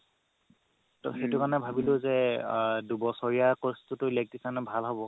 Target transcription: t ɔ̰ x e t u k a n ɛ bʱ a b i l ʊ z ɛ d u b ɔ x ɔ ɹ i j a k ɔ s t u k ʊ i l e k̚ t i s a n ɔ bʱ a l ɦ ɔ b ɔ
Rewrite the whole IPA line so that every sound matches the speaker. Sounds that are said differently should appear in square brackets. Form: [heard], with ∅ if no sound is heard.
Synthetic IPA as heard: t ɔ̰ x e t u k a n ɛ bʱ a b i l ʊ z ɛ d u b ɔ [s] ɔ ɹ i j a k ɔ s t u [t] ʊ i l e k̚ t i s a n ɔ bʱ a l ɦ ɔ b ɔ